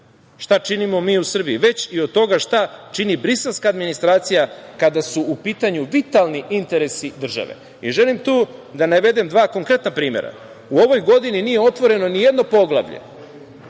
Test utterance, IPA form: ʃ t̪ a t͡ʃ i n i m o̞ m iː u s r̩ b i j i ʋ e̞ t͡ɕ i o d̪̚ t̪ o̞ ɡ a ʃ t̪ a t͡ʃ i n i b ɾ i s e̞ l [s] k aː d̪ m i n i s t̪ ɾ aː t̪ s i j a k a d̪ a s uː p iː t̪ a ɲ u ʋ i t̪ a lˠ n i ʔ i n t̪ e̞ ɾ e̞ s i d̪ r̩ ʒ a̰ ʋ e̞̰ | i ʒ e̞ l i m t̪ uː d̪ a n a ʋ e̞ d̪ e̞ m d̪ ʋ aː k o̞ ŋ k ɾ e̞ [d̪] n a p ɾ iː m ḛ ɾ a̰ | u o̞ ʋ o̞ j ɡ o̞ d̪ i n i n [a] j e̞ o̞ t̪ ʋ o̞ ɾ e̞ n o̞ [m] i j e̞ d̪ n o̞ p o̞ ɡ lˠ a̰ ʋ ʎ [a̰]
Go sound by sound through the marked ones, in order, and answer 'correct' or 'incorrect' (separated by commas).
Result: correct, incorrect, incorrect, incorrect, incorrect